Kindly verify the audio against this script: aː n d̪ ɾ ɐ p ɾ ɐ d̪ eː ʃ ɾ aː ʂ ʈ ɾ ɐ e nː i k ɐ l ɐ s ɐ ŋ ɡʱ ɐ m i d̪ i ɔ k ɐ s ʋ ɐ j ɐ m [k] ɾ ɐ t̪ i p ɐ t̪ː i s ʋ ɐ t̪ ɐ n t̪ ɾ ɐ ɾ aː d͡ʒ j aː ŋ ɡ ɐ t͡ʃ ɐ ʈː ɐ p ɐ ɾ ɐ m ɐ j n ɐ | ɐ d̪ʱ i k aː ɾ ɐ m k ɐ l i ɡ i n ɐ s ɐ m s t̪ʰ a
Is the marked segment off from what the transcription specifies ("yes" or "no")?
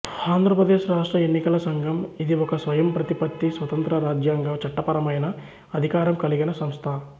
yes